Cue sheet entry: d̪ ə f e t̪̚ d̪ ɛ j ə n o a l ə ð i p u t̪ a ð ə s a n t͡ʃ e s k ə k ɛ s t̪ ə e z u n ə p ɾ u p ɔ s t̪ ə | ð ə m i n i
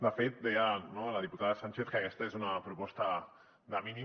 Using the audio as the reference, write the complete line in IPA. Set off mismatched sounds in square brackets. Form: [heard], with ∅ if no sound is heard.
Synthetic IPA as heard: d̪ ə f e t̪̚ d̪ ɛ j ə n o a l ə ð i p u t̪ a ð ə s a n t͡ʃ e [θ] k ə k ɛ s t̪ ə e z u n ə p ɾ u p ɔ s t̪ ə | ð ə m i n i